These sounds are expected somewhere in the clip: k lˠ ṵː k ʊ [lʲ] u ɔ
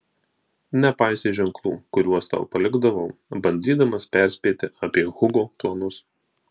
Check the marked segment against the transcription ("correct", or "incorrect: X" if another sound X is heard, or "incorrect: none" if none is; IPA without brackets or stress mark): incorrect: ɾʲ